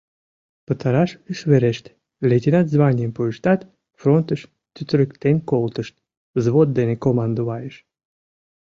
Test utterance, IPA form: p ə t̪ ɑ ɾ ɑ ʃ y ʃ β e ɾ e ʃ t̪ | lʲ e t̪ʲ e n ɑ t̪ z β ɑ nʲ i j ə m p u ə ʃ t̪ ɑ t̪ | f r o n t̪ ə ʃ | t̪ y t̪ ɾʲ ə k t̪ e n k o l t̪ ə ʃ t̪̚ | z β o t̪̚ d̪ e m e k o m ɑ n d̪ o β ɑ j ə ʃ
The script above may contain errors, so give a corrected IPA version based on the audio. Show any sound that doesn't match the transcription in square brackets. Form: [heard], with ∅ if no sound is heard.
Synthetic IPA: p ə t̪ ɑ ɾ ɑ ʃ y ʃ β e ɾ e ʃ t̪ | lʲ e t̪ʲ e n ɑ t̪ z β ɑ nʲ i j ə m p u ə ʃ t̪ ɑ t̪ | f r o n t̪ ə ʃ | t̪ y t̪ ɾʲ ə k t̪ e n k o l t̪ ə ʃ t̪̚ | z β o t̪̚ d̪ e [n] e k o m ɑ n d̪ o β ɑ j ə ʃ